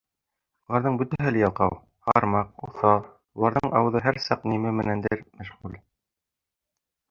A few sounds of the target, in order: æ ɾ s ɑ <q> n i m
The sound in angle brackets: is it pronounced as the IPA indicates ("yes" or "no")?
yes